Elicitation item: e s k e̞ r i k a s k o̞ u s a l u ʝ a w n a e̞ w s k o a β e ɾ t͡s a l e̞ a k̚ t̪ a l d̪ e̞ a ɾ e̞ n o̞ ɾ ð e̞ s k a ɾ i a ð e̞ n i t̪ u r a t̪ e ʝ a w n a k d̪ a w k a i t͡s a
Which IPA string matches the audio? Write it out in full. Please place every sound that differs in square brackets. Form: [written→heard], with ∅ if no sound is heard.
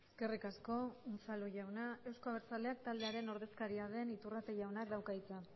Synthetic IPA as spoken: e s k e̞ r i k a s k o̞ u s a l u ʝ a w n a e̞ w s k o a β e ɾ t͡s a l e̞ a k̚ t̪ a l d̪ e̞ a ɾ e̞ n o̞ ɾ ð e̞ s k a ɾ i a ð e̞ n i t̪ u r a t̪ e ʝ a w n a k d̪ a w k a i t͡s a